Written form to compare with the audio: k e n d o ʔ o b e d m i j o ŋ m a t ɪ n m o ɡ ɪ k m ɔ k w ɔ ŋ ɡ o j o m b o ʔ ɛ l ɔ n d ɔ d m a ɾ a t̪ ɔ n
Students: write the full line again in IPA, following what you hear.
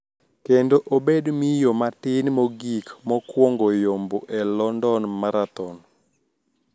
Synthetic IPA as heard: k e n d o ʔ o b e d m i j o m a t ɪ n m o ɡ i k m ɔ k w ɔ ŋ ɡ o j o m b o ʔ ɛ l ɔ n d ɔ n m a ɾ a t̪ ɔ n